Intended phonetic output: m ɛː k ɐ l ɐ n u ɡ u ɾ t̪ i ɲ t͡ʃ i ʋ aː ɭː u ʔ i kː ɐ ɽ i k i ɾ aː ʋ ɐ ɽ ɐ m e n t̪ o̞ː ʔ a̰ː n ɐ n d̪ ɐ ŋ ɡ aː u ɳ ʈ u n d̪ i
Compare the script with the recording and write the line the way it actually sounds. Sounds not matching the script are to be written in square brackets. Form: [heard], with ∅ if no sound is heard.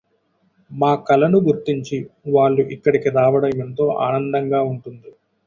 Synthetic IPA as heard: m [aː] k ɐ l ɐ n u ɡ u ɾ t̪ i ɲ t͡ʃ i ʋ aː ɭː u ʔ i kː ɐ ɽ i k i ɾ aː ʋ ɐ ɽ ɐ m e n t̪ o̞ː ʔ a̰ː n ɐ n d̪ ɐ ŋ ɡ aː u ɳ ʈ u n d̪ i